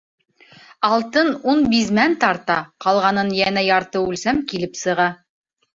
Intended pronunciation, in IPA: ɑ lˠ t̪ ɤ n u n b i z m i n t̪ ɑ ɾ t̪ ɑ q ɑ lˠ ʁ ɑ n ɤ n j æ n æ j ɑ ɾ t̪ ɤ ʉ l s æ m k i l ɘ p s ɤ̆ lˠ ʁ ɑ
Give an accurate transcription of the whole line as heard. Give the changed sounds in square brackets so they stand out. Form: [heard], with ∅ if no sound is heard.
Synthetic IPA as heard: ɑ lˠ t̪ ɤ n u n b i z m [æ] n t̪ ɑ ɾ t̪ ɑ q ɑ lˠ ʁ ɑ n ɤ n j æ n æ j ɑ ɾ t̪ ɤ ʉ l s æ m k i l ɘ p s ɤ̆ [∅] ʁ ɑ